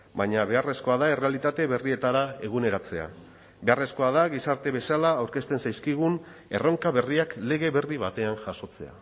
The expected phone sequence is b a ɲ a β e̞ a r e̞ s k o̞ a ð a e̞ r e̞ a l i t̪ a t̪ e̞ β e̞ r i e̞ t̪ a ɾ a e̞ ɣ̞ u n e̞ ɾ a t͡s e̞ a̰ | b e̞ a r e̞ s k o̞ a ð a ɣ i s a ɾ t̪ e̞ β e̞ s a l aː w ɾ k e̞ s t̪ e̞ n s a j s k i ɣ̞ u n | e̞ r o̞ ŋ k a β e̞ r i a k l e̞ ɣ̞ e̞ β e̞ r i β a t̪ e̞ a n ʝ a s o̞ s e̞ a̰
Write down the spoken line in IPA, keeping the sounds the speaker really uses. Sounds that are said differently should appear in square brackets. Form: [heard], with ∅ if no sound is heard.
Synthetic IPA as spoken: b a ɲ a β e̞ a r e̞ s k o̞ a ð a e̞ r e̞ a l i t̪ a t̪ e̞ β e̞ r i e̞ t̪ a ɾ a e̞ ɣ̞ u n e̞ ɾ a t͡s e̞ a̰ | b e̞ a r e̞ s k o̞ a ð a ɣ i s a ɾ t̪ e̞ β e̞ s a l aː w ɾ k e̞ s t̪ e̞ n s a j s k i ɣ̞ u n | e̞ r o̞ ŋ k a β e̞ r i a k l e̞ ɣ̞ e̞ β e̞ r i β a t̪ e̞ a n ʝ a s o̞ [t͡s] e̞ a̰